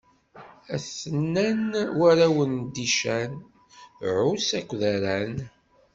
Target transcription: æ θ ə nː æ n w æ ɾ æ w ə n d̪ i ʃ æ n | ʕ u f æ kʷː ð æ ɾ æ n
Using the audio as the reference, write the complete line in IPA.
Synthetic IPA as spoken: æ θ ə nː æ n w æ ɾ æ w ə n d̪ i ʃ æ n | ʕ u s æ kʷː ð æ ɾ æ n